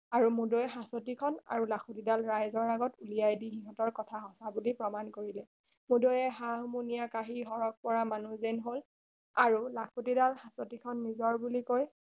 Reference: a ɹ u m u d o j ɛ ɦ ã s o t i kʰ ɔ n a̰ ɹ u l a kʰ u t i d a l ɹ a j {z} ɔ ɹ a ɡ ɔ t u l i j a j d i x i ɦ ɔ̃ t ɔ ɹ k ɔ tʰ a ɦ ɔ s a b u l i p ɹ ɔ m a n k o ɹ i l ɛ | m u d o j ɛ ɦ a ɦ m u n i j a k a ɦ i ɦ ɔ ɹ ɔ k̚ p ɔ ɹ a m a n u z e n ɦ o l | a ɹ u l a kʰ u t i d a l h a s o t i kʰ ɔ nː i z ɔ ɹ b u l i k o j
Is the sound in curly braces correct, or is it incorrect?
correct